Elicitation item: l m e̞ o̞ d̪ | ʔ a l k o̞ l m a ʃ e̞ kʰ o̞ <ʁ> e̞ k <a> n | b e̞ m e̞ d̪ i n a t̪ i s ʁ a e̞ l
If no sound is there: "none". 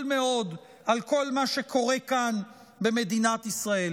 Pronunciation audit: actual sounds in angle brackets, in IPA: ʁ, a

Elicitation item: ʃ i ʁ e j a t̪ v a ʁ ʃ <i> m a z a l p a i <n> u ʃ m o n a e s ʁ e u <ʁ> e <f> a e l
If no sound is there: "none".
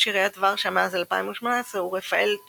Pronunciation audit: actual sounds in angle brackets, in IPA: a, m, ʁ, f

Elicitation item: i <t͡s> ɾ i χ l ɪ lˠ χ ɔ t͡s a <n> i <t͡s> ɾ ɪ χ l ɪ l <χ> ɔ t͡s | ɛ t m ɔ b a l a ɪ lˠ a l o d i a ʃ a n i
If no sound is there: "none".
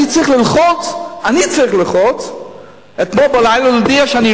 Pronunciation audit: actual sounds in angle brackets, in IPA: t͡s, n, t͡s, χ

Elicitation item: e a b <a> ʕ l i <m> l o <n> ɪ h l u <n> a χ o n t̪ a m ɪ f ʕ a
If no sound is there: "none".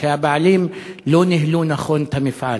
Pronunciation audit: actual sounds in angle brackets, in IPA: a, m, n, n

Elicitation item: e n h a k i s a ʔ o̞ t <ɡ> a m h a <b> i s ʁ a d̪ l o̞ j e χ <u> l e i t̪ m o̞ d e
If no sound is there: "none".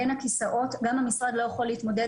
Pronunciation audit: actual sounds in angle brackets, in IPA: ɡ, m, o

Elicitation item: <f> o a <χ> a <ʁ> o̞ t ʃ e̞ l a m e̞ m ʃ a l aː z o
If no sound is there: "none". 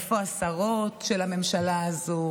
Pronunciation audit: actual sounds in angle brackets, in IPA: f, s, ʁ

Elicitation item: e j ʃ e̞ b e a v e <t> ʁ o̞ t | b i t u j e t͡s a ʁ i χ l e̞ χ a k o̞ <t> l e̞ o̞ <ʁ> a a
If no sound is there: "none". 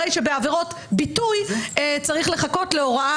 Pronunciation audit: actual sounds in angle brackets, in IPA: none, t, ʁ

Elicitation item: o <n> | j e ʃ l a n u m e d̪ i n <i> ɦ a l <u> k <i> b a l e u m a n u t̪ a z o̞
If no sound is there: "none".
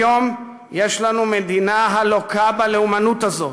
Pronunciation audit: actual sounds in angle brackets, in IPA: m, a, o, a

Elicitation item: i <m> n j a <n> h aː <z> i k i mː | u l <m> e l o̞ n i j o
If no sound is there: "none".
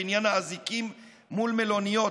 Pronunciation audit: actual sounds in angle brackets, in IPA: none, n, z, m

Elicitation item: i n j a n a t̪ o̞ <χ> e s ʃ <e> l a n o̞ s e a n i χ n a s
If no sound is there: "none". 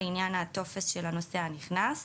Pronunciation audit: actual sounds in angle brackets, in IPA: f, e

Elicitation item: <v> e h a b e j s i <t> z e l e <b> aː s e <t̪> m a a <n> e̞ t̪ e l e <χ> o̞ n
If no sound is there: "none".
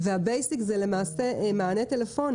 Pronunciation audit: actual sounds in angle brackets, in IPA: v, k, m, none, n, f

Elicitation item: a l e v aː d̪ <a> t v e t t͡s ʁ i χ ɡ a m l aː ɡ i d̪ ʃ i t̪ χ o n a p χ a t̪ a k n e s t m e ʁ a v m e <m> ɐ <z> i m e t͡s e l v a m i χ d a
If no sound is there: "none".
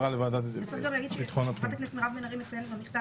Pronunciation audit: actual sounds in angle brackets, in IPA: a, n, ʁ

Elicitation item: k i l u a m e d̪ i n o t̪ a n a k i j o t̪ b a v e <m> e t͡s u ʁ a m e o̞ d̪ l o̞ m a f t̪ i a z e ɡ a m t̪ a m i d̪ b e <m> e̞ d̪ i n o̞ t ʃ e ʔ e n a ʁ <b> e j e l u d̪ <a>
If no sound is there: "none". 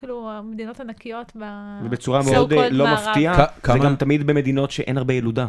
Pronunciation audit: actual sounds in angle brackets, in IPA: b, m, b, a

